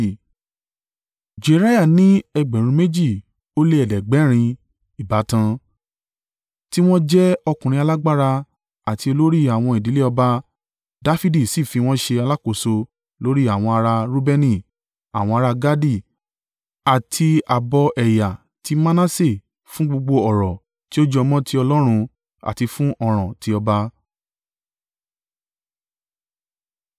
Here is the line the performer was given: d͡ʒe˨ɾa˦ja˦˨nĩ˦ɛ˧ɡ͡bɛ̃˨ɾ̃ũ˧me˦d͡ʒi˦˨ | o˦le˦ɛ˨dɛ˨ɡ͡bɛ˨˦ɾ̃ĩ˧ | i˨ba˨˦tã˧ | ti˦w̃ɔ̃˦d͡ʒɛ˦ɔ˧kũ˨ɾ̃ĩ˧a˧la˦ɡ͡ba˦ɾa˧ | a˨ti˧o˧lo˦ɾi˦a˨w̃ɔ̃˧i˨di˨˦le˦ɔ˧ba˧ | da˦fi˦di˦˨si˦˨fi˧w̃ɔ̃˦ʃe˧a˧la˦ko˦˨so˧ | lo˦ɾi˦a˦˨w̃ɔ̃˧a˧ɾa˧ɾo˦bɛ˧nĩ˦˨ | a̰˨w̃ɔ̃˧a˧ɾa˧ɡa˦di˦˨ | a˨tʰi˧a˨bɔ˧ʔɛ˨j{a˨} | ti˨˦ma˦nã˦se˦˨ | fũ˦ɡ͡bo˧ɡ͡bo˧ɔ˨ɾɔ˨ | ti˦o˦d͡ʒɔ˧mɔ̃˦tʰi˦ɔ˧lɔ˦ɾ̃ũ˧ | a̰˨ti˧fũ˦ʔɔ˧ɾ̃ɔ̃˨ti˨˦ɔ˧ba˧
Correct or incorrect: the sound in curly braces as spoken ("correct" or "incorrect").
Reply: correct